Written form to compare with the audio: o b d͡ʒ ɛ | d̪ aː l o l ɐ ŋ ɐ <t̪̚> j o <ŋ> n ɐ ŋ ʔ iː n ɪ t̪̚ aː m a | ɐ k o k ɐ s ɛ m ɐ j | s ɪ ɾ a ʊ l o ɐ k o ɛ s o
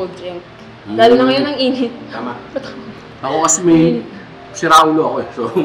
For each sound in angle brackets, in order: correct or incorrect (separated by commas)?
incorrect, incorrect